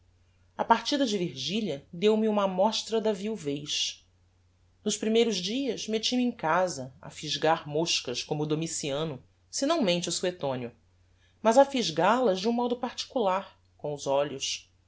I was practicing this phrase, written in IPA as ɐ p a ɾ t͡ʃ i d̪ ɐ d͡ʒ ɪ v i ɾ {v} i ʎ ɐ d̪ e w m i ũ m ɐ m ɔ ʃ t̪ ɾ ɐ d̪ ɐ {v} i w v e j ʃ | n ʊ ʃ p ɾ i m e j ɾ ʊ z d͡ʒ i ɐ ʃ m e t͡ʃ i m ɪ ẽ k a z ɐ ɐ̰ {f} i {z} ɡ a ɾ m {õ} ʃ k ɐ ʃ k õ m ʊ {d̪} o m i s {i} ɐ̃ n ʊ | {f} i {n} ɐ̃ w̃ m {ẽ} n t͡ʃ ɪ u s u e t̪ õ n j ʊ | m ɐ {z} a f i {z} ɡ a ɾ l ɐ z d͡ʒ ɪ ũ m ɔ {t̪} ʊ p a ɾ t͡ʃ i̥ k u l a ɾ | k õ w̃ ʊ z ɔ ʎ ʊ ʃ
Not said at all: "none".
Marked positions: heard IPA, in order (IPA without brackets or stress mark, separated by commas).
ʒ, v, f, ʒ, o, d̪, i, s, n, ẽ, z, ʒ, d̪